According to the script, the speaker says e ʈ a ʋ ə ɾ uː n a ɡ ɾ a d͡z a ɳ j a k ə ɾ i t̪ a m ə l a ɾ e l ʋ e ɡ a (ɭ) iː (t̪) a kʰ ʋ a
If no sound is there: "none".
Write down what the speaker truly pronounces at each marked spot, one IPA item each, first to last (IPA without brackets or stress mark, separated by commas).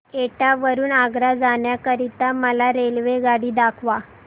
ɽ, d̪